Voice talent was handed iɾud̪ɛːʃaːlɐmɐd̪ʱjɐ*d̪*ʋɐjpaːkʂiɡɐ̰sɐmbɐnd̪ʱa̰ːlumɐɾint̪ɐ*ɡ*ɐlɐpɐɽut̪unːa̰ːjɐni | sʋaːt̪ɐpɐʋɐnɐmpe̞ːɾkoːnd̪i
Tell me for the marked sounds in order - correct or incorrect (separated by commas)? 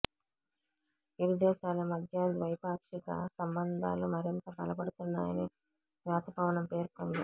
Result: correct, incorrect